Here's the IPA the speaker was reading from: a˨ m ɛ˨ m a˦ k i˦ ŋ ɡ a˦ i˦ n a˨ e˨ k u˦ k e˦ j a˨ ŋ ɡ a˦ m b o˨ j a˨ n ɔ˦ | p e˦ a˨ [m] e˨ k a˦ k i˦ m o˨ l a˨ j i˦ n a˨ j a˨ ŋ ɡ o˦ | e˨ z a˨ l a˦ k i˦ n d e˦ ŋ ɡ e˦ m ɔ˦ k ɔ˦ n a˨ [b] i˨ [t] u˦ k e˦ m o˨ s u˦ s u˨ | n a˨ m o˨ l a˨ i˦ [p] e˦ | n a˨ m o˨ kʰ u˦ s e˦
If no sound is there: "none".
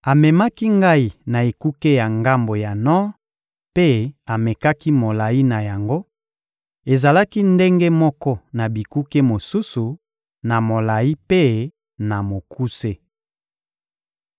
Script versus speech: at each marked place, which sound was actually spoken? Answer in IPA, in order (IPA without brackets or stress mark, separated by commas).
m, b, k, p